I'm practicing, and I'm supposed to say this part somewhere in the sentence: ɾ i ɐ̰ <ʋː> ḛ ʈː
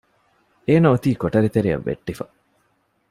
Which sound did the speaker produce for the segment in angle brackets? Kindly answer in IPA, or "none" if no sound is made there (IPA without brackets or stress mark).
ʋː